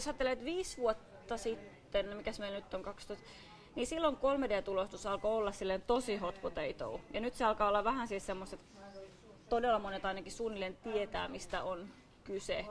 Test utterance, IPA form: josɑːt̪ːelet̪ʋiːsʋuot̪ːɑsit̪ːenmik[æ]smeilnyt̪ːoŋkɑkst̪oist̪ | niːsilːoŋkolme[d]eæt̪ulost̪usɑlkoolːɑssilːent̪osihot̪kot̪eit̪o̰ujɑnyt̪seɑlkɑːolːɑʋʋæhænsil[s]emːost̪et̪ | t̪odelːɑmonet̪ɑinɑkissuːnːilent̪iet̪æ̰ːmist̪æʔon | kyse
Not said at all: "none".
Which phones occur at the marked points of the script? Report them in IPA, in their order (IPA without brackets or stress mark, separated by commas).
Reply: æ, d, s